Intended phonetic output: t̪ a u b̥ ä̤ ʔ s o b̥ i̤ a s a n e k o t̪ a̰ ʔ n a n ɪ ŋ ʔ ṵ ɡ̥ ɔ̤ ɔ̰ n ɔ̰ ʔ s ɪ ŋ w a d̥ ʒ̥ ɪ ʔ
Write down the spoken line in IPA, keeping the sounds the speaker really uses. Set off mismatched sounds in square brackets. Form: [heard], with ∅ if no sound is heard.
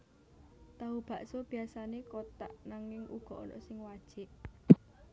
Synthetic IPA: t̪ a u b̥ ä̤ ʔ s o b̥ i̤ a s a n e k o t̪ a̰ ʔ n a [ŋ] ɪ ŋ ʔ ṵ ɡ̥ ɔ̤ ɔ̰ n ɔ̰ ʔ s ɪ ŋ w a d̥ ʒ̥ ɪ ʔ

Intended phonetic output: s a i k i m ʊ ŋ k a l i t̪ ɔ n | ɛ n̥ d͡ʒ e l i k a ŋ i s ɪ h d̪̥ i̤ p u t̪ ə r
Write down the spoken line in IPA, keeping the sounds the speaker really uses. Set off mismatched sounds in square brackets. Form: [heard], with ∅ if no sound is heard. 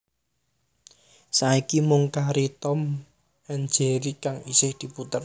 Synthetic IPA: s a i k i m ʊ ŋ k a [ɾ] i t̪ ɔ [m] | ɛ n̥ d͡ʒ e [ɾ] i k a ŋ i s ɪ h d̪̥ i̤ p u t̪ ə r

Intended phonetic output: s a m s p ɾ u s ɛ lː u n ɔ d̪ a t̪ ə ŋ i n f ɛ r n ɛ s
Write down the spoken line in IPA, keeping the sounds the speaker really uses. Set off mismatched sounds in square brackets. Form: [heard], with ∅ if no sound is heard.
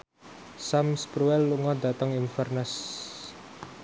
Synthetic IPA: s a m s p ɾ u [∅] ɛ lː u [ŋ] ɔ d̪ a t̪ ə ŋ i n f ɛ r n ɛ s

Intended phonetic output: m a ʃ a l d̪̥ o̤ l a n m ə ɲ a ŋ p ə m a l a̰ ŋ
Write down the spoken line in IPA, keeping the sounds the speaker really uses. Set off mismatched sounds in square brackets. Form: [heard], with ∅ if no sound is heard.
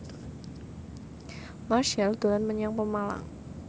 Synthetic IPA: m a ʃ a l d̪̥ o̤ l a n m ə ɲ a ŋ p ə m a l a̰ ŋ

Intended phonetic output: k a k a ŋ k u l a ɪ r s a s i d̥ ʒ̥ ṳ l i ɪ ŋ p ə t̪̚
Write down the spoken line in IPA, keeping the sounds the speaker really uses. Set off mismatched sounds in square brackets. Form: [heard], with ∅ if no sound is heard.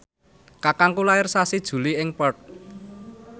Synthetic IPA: k a k a ŋ k u l a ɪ r s a s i d̥ ʒ̥ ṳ l i ɪ ŋ p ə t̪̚

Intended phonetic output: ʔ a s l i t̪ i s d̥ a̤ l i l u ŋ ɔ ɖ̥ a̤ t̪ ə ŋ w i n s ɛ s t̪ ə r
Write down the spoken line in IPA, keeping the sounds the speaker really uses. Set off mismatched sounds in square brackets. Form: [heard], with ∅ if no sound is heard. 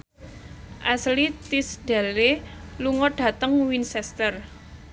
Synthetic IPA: ʔ a s l i t̪ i s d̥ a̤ l [e] l u ŋ ɔ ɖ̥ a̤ t̪ ə ŋ w i n s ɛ s t̪ ə r

